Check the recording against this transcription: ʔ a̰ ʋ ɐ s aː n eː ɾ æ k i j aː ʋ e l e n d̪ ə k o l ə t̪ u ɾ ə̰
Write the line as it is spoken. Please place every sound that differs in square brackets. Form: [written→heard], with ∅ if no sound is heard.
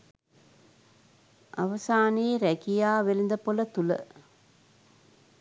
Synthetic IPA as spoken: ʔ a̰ ʋ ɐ s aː n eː ɾ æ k i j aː ʋ e l [e→i] n d̪ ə [k→p] o l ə t̪ u [ɾ→l] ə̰